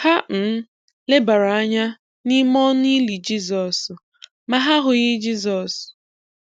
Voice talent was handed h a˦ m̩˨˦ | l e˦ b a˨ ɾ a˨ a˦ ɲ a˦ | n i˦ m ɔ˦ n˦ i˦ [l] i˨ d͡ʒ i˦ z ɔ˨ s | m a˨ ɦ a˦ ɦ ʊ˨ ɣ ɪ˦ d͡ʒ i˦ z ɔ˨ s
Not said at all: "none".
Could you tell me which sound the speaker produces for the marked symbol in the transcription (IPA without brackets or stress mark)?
l